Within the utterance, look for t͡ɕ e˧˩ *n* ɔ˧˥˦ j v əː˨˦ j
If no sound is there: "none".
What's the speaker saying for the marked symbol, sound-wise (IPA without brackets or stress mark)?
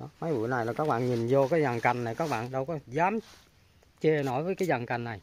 n